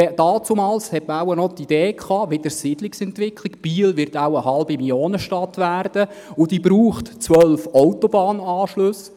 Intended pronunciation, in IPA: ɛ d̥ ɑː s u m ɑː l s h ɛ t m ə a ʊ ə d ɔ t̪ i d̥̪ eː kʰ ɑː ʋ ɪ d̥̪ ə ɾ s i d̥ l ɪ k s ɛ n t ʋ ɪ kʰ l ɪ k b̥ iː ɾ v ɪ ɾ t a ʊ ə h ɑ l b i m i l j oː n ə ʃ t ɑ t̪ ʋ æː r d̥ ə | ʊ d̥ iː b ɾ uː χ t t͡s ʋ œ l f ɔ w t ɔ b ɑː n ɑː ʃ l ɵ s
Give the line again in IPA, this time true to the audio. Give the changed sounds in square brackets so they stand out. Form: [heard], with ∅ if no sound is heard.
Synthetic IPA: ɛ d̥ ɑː [t͡s] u m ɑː l s h ɛ t m ə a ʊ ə [n] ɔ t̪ i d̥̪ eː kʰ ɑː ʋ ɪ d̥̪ ə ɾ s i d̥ l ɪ k s ɛ n t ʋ ɪ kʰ l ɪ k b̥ iː [l] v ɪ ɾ t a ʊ ə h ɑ l b i m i l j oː n ə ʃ t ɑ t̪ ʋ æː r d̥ ə | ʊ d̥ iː b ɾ uː χ t t͡s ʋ œ l f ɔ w t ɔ b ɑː n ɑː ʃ l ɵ s